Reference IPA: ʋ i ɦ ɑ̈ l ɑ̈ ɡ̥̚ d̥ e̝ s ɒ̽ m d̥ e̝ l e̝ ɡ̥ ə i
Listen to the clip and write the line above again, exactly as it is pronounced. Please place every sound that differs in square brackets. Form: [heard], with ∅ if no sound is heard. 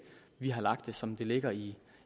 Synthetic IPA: ʋ i ɦ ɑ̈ l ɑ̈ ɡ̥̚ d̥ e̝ s ɒ̽ m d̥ e̝ l e̝ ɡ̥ [ɐ] i